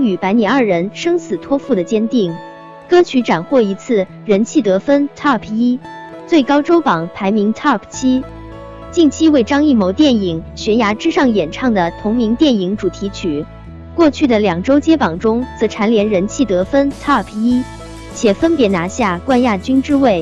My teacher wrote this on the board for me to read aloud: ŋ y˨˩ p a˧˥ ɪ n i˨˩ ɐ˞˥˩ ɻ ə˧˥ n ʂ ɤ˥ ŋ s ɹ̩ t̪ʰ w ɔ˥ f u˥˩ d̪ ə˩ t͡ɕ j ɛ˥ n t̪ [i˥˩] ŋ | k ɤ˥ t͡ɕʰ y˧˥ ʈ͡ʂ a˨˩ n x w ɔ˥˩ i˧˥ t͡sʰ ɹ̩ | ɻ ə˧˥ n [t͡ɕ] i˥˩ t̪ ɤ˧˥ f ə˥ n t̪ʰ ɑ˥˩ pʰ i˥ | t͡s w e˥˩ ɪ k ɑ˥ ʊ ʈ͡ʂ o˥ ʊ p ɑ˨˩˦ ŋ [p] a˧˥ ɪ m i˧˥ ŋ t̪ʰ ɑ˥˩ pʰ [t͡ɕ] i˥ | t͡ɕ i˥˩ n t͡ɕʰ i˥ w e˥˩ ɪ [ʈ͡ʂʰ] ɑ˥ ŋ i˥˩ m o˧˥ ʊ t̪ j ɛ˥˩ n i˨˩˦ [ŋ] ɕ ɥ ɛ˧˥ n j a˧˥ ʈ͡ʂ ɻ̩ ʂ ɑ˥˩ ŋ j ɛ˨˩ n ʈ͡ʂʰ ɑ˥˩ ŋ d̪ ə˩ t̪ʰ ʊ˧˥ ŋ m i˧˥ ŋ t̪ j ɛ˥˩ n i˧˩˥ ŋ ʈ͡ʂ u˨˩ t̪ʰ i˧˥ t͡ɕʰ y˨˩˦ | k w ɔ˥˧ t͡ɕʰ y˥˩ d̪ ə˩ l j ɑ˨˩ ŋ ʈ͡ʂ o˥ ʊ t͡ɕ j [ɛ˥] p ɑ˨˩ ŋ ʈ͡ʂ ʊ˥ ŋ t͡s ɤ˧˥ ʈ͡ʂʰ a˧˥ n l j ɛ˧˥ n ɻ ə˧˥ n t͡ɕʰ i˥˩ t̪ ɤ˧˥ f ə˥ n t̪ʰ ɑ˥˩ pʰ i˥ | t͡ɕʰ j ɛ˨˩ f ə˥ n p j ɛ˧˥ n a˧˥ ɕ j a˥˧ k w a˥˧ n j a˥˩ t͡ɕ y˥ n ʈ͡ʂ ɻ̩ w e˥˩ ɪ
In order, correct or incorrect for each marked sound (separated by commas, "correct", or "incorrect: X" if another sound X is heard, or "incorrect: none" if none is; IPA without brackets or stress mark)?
correct, incorrect: t͡ɕʰ, incorrect: pʰ, incorrect: t͡ɕʰ, incorrect: ʈ͡ʂ, correct, correct